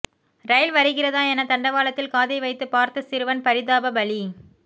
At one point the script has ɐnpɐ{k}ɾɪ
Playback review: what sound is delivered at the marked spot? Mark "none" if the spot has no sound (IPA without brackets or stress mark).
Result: none